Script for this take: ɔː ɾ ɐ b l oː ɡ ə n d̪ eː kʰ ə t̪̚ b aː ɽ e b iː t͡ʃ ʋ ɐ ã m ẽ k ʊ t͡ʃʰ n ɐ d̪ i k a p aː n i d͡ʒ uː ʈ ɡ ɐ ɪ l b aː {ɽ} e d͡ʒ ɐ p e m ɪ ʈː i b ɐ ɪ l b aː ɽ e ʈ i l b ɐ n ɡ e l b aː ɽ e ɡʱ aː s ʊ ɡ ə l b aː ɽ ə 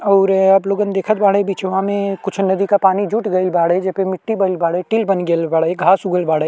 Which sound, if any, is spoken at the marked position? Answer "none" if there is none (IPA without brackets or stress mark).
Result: ɽ